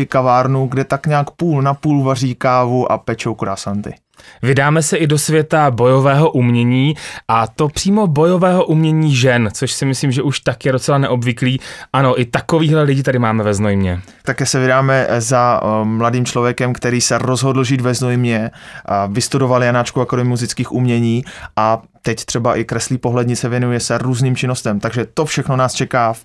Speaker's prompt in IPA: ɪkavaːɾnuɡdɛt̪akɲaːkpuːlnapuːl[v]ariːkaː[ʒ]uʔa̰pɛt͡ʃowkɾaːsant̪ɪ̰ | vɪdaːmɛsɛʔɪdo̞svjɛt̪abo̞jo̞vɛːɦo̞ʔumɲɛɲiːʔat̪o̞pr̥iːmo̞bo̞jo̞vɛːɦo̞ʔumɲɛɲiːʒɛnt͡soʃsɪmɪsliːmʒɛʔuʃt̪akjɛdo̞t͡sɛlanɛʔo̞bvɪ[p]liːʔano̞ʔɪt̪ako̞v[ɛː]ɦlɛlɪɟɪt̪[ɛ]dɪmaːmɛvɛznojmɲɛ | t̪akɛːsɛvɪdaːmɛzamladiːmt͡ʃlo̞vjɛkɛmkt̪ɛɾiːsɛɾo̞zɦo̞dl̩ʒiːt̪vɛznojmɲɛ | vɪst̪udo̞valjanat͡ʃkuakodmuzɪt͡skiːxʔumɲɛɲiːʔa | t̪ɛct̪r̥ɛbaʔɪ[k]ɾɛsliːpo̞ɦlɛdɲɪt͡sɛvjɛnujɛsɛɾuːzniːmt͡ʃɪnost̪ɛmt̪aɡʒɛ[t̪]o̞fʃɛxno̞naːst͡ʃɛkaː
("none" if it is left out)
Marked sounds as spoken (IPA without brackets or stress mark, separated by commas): v, v, k, iː, a, k, t̪